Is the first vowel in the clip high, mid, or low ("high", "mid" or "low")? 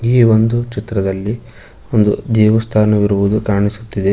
high